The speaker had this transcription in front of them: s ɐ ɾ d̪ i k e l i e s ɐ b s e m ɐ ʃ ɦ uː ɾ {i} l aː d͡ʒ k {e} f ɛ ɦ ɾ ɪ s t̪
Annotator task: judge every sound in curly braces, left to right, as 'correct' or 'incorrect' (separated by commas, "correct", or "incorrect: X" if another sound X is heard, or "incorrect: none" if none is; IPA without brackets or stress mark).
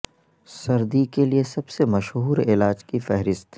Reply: incorrect: ɪ, incorrect: i